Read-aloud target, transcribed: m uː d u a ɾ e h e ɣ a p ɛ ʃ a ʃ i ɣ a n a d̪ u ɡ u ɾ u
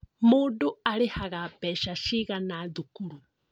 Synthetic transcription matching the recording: m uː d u a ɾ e h a ɣ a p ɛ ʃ a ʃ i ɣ a n a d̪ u k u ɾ u